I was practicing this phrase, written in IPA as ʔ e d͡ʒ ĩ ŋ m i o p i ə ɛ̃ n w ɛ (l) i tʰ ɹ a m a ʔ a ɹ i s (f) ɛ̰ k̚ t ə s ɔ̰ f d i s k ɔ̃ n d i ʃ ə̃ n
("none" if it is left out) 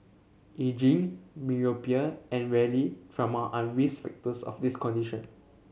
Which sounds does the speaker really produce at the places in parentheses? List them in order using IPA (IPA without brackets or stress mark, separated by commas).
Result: l, f